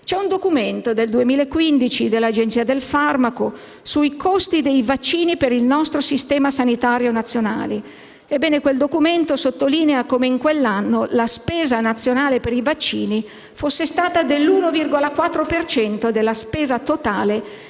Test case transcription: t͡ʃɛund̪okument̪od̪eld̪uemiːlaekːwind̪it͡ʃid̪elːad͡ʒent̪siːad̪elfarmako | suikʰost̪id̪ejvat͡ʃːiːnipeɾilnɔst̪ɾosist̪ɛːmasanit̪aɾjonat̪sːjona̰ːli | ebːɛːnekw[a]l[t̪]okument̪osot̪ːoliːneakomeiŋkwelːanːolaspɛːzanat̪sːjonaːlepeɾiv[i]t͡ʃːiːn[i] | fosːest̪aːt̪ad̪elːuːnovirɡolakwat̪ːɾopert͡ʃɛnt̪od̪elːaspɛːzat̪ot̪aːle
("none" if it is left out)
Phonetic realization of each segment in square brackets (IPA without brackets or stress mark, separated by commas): e, d̪, a, i